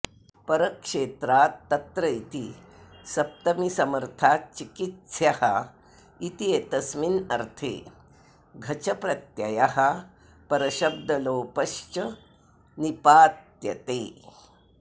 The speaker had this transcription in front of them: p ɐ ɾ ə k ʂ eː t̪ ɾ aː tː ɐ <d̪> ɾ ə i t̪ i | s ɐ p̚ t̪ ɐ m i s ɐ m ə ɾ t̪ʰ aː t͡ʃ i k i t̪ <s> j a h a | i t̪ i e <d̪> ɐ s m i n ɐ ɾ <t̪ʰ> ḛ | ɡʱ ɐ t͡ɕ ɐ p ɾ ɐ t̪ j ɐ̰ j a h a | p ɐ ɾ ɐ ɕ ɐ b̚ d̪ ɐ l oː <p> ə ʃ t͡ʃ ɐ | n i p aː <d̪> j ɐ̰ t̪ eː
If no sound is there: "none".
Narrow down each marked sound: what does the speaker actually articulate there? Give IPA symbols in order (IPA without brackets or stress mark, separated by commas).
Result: t̪, s, t̪, t̪ʰ, p, t̪